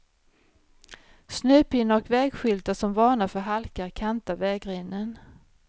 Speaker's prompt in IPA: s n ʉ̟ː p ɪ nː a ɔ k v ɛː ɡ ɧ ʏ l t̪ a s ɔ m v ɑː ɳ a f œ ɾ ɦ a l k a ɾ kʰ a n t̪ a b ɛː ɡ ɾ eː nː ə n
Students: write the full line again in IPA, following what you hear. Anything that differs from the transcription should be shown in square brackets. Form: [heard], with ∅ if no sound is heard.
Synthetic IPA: s n ʉ̟ː p ɪ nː a ɔ k v ɛː ɡ ɧ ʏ l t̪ a s ɔ m v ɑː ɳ a f œ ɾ ɦ a l k a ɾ kʰ a n t̪ a [v] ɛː ɡ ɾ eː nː ə n